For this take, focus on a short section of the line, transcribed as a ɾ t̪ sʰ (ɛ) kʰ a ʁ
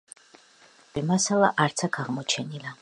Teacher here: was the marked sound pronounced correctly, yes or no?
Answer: no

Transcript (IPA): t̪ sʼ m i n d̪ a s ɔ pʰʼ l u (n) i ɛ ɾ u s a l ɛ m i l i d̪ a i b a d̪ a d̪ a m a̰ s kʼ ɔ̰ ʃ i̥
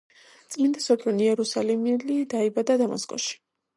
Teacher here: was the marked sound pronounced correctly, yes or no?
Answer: yes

